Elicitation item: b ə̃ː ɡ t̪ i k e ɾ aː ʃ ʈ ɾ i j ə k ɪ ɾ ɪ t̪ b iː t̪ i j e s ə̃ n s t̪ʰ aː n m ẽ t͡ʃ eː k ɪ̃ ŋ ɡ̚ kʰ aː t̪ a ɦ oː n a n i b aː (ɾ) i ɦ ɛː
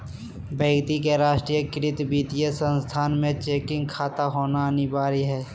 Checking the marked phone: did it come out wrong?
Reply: no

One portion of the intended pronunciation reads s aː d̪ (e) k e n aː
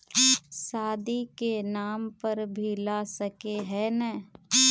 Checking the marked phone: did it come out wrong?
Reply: yes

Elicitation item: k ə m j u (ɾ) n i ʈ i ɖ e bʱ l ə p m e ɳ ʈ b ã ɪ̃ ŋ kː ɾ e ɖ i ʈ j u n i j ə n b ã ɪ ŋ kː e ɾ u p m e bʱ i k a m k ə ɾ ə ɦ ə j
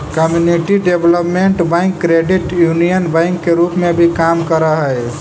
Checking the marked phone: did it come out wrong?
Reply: yes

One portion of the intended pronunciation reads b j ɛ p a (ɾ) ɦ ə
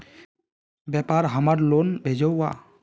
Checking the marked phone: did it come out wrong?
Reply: no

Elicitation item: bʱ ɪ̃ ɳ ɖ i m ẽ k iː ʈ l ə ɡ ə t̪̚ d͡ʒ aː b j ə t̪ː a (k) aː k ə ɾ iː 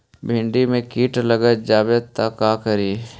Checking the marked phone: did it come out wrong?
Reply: no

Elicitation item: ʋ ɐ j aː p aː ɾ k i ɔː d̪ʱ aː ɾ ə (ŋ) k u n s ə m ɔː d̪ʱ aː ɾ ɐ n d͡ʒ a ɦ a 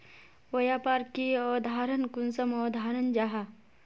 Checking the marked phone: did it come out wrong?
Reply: yes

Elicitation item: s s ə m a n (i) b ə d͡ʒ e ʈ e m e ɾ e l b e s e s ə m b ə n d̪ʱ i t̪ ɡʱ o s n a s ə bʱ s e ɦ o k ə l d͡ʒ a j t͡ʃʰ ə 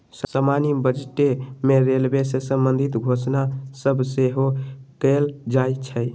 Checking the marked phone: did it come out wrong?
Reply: no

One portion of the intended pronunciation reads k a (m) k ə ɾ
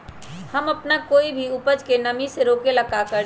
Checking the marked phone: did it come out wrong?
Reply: yes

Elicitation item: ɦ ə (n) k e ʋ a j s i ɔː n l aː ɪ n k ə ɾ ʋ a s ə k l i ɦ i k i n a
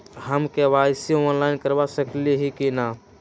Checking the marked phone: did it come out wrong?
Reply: yes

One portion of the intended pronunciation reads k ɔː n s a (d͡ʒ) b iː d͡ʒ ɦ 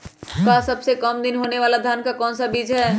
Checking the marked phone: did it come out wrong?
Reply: yes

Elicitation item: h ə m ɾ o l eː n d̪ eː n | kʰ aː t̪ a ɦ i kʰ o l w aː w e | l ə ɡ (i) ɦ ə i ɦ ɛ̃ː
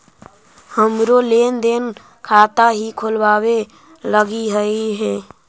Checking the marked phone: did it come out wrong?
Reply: no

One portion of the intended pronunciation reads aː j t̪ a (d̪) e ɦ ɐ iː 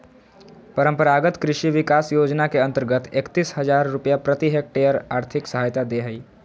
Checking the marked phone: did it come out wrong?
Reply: no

